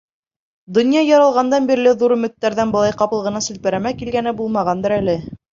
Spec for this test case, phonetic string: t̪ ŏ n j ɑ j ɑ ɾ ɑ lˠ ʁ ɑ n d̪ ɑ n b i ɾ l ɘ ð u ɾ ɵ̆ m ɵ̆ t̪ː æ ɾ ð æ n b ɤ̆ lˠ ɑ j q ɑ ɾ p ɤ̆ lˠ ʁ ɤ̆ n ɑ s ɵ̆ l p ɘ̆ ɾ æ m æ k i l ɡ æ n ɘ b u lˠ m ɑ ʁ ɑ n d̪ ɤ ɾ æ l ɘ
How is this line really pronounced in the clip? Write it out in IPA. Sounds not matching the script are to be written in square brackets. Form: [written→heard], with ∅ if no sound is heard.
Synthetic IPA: [t̪→d̪] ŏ n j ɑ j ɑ ɾ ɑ lˠ ʁ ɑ n d̪ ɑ n b i ɾ l ɘ ð u ɾ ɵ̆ m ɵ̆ t̪ː æ ɾ ð æ n b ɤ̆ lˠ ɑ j q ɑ [ɾ→∅] p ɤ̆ lˠ ʁ ɤ̆ n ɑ s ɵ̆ l p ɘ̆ ɾ æ m æ k i l ɡ æ n ɘ b u lˠ m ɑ ʁ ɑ n d̪ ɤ ɾ æ l ɘ